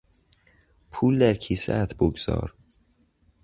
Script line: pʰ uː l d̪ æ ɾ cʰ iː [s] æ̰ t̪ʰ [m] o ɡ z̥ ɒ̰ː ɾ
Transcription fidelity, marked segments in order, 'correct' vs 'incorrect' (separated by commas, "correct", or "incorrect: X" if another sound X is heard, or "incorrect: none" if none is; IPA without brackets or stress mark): correct, incorrect: b